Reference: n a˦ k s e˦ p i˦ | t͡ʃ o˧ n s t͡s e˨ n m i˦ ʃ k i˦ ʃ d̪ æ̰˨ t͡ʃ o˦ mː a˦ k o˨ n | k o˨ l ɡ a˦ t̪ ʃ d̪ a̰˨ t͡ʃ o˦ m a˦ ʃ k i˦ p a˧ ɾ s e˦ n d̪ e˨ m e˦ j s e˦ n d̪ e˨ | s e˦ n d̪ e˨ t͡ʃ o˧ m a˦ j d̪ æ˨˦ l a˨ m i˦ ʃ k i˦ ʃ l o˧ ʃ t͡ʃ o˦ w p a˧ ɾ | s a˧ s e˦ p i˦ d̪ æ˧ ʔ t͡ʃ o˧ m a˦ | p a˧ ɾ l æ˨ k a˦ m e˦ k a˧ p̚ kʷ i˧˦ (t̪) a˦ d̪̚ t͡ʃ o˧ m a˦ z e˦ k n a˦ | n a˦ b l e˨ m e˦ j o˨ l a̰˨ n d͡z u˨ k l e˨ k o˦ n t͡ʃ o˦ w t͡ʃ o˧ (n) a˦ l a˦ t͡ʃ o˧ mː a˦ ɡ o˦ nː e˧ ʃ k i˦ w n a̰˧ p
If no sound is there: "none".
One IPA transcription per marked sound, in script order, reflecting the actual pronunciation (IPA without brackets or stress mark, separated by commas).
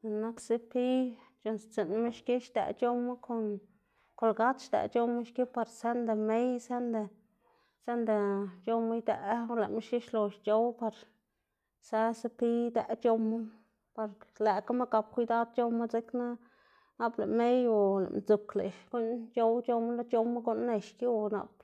d̪, m